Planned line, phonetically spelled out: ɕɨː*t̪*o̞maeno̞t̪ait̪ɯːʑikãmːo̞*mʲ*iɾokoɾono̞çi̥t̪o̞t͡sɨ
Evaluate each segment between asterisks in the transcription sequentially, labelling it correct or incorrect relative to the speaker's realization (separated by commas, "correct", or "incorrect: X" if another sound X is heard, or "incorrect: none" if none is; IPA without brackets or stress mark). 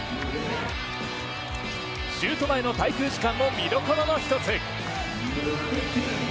correct, correct